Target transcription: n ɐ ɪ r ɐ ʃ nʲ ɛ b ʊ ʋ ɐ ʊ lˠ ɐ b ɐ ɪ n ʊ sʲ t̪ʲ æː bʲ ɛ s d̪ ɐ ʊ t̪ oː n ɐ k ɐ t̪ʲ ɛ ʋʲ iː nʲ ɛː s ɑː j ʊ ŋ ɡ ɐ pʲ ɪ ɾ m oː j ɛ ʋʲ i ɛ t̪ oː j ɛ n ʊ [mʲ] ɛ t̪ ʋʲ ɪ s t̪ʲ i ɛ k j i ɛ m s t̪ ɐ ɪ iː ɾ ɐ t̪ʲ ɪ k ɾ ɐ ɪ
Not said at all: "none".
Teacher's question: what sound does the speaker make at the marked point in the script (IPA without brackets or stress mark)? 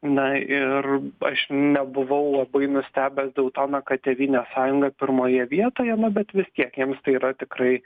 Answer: bʲ